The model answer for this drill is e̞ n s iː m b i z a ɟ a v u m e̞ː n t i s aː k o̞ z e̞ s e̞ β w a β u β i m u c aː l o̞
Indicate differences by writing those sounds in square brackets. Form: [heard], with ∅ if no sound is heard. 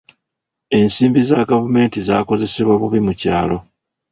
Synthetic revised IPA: e̞ n s iː m b i z a [ɡ] a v u m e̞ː n t i [z] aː k o̞ z e̞ s e̞ β w a β u β i m u c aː l o̞